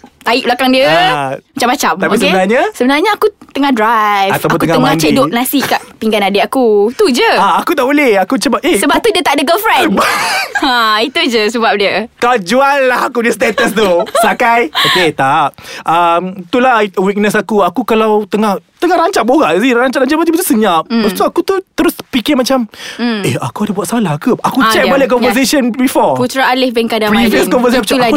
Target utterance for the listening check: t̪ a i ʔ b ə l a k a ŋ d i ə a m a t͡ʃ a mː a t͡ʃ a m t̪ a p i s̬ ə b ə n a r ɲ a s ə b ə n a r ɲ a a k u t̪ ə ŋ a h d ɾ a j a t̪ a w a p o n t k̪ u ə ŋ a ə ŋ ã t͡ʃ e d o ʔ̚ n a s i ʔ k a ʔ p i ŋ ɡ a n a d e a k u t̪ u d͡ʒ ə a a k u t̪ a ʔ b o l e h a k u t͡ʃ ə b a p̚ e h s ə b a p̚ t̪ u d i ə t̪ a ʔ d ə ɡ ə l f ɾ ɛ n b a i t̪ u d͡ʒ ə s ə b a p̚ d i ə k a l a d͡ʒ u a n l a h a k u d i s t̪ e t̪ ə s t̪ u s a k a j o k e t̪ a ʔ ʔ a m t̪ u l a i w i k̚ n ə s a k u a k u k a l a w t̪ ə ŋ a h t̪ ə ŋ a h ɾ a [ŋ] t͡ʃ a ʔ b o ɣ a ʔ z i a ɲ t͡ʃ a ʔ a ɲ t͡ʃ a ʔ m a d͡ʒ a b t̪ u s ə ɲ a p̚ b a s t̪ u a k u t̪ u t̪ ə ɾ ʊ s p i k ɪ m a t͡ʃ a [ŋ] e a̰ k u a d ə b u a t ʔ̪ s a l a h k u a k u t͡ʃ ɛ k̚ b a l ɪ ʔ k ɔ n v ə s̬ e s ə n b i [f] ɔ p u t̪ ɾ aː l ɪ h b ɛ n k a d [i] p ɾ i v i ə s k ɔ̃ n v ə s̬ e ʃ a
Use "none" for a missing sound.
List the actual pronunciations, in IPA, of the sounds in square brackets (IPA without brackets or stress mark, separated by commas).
ɲ, m, f, a